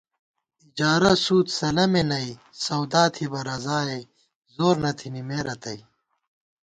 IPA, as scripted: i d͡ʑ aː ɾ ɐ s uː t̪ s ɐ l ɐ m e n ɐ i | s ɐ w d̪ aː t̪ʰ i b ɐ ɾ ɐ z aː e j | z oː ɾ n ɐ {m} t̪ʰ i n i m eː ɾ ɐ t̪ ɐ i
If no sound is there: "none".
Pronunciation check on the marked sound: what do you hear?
none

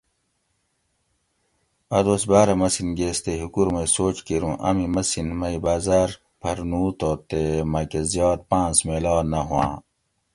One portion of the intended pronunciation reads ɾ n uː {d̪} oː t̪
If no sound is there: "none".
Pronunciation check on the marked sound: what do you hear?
t̪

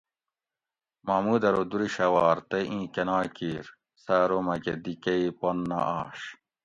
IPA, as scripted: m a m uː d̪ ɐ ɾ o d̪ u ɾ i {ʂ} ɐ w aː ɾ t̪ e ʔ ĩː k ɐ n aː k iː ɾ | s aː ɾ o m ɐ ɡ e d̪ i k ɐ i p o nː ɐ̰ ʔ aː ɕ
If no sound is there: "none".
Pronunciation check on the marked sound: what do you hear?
ɕ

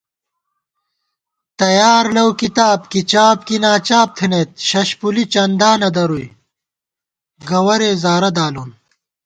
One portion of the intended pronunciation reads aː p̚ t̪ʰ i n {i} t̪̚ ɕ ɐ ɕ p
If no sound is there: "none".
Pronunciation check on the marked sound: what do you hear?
e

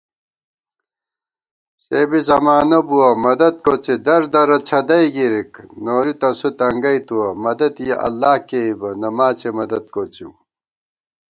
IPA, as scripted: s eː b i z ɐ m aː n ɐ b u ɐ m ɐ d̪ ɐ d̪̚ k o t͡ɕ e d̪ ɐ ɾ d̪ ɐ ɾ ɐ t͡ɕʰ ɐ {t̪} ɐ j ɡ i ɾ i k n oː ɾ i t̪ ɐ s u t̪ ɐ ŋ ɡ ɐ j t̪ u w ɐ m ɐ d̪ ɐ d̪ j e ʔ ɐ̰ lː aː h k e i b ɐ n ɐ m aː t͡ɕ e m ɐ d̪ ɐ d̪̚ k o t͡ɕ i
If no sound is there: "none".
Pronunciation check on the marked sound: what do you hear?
d̪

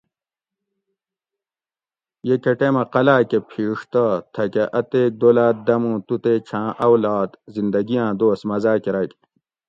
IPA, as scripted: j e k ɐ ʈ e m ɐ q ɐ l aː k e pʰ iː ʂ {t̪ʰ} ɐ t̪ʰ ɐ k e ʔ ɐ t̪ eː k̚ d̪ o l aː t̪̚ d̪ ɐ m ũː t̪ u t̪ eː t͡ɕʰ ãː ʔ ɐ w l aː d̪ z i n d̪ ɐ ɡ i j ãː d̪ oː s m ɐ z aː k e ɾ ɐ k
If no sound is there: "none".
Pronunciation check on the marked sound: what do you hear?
t̪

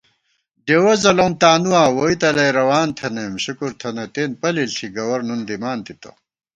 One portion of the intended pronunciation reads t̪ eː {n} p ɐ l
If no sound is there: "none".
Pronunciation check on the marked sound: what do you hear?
n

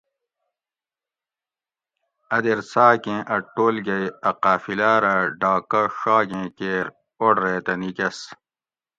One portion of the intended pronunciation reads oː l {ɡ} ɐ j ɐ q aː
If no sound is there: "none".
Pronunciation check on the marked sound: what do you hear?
ɡ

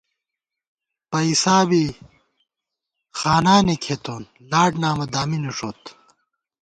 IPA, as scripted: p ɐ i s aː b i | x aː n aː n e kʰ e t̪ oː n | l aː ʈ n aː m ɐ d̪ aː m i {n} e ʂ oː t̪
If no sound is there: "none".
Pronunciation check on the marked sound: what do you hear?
n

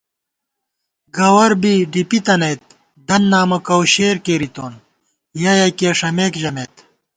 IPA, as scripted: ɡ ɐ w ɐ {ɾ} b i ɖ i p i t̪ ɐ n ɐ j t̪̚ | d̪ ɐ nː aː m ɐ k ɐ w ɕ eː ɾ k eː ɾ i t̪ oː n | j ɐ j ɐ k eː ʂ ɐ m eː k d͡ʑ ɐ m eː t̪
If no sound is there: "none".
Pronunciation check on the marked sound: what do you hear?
ɾ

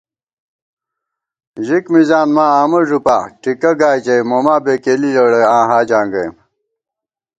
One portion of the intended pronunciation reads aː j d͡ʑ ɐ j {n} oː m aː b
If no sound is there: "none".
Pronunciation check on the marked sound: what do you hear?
m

